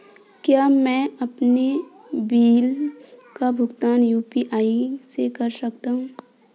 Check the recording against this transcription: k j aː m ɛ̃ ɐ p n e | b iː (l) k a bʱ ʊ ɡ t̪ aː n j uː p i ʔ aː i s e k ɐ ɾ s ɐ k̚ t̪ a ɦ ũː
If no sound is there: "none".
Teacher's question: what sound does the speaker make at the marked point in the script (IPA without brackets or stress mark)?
l